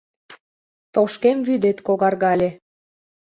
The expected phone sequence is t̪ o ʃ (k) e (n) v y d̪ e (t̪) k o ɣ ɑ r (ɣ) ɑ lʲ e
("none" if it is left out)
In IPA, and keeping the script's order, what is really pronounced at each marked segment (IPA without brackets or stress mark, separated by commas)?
k, m, t̪, ɣ